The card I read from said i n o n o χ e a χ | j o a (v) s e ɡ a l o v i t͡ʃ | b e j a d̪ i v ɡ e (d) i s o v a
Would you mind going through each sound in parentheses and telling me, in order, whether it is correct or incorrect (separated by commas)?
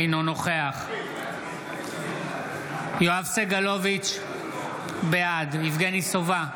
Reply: correct, incorrect